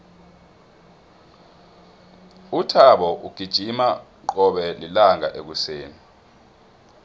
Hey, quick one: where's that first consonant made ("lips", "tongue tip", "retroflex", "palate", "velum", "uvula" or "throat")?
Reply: tongue tip